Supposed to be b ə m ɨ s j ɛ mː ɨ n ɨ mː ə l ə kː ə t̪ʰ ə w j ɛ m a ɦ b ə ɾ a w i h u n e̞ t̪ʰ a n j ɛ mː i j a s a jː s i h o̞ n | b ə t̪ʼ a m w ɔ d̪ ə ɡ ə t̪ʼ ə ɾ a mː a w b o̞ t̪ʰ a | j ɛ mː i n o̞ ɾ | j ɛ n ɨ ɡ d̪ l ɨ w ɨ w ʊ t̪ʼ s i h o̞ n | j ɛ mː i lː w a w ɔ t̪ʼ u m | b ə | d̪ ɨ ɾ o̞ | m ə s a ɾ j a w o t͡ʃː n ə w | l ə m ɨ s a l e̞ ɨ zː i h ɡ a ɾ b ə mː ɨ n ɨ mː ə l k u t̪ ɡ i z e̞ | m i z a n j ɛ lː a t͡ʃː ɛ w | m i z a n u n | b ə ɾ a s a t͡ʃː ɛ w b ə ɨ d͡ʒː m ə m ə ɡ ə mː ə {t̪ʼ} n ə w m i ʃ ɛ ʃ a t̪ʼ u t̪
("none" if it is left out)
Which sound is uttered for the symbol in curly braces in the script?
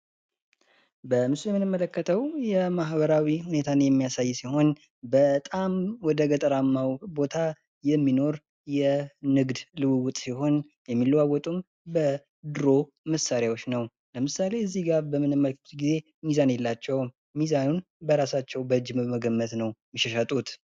t̪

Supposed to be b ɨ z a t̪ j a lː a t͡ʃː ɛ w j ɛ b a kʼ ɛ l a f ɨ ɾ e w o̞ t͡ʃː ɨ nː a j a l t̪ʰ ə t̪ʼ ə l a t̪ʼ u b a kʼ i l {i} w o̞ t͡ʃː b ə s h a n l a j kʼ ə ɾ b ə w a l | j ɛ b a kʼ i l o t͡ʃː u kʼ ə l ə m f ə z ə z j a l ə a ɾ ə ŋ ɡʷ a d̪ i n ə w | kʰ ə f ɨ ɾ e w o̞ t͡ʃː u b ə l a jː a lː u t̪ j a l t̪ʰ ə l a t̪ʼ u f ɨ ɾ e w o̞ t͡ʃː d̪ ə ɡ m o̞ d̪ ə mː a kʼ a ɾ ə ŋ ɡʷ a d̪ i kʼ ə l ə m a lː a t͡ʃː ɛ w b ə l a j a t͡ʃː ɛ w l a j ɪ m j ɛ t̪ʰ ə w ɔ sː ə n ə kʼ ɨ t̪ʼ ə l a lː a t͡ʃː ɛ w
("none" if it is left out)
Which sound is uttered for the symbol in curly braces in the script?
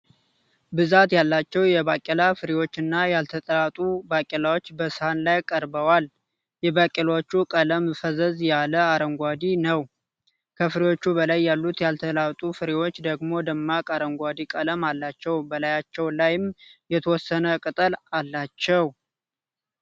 a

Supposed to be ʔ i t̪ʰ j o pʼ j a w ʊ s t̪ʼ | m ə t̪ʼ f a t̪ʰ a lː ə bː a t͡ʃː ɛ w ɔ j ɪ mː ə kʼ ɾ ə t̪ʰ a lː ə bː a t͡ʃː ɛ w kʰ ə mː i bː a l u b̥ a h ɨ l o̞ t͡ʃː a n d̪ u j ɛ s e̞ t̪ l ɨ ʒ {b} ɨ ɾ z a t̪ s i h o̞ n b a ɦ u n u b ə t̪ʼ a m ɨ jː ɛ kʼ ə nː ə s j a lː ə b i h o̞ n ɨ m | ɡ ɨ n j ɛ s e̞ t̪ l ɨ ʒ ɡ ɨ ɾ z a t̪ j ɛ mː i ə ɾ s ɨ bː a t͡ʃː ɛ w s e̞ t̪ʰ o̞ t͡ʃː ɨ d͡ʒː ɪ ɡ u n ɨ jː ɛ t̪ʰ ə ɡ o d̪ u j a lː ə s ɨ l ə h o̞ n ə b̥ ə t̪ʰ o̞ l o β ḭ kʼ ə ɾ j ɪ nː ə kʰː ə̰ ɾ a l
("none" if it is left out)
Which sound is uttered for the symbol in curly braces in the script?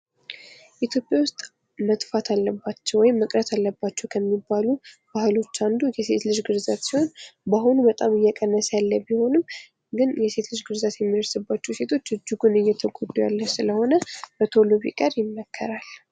ɡ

